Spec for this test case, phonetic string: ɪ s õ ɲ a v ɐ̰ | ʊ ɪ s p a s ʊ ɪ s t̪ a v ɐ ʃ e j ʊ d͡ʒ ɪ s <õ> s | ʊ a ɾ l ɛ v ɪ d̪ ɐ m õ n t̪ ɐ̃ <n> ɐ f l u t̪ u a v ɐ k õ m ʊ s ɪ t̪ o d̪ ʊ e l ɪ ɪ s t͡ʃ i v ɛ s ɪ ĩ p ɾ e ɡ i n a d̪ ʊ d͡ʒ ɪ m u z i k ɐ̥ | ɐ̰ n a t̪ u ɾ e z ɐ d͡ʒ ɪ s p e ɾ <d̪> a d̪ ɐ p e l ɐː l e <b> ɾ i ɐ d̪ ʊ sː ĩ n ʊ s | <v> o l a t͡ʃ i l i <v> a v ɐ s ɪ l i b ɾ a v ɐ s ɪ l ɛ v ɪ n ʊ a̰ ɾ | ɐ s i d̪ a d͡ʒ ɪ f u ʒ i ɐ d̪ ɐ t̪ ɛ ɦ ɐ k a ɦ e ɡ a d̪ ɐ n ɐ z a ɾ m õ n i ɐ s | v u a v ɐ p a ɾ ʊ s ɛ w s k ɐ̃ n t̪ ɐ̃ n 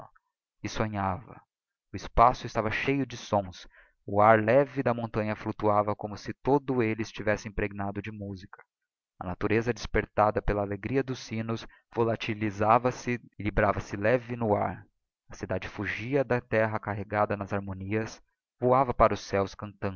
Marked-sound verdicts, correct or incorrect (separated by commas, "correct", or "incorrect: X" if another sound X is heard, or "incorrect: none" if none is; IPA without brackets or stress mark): correct, incorrect: ɲ, incorrect: t̪, incorrect: ɡ, correct, incorrect: z